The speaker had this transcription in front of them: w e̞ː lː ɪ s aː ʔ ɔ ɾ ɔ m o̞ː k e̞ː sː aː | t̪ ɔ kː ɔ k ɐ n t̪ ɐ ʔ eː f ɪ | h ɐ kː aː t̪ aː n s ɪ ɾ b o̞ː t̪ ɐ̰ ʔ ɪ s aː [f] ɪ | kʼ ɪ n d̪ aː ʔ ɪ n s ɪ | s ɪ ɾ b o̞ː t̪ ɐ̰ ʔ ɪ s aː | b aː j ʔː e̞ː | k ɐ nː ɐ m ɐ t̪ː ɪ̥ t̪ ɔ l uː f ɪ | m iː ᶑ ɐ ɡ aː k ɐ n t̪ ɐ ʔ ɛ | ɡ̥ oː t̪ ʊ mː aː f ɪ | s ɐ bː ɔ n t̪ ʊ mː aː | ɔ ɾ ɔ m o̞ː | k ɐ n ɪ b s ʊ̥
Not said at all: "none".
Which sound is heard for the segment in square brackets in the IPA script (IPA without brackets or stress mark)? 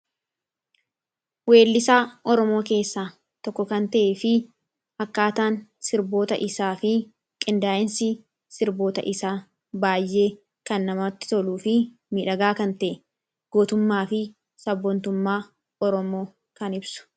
f